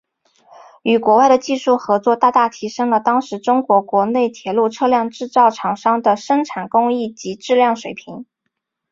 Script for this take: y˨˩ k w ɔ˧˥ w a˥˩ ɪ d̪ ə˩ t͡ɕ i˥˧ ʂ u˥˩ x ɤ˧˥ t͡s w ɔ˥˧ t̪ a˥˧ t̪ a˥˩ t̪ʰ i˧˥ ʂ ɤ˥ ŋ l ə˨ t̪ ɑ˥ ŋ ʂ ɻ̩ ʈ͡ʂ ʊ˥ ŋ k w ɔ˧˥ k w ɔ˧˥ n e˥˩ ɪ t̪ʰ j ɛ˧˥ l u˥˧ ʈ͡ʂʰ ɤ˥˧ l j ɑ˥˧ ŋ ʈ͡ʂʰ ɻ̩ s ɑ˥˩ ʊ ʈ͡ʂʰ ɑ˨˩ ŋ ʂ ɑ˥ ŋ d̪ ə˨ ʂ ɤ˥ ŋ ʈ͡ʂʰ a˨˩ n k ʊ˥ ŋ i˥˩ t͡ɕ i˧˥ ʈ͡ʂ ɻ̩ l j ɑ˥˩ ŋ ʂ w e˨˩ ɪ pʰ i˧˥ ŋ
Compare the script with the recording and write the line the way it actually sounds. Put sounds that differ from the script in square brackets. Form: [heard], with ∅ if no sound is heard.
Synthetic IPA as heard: y˨˩ k w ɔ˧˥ w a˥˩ ɪ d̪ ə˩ t͡ɕ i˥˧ ʂ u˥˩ x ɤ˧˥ t͡s w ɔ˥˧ t̪ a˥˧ t̪ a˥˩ t̪ʰ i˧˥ ʂ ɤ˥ ŋ l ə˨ t̪ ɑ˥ ŋ ʂ ɻ̩ ʈ͡ʂ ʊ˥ ŋ k w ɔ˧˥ k w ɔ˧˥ n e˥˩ ɪ t̪ʰ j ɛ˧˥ l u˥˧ ʈ͡ʂʰ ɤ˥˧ l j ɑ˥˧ ŋ [ʈ͡ʂ] ɻ̩ [t͡s] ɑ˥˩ ʊ ʈ͡ʂʰ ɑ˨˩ ŋ ʂ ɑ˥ ŋ d̪ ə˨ ʂ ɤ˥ ŋ ʈ͡ʂʰ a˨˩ n k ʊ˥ ŋ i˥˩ t͡ɕ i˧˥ ʈ͡ʂ ɻ̩ l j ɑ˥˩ ŋ ʂ w e˨˩ ɪ pʰ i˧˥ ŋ